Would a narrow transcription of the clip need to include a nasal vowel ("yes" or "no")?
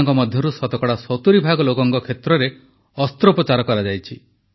no